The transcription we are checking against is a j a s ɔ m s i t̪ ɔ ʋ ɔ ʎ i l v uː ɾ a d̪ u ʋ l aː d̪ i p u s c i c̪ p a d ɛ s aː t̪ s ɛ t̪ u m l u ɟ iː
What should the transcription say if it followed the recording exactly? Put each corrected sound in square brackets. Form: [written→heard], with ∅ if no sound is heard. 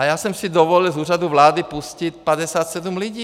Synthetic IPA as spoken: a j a s ɔ m s i [t̪→d̪] ɔ ʋ ɔ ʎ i l [v→z] uː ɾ a d̪ u ʋ l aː d̪ i p u s c i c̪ p a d ɛ s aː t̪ s ɛ [t̪→d̪] u m l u ɟ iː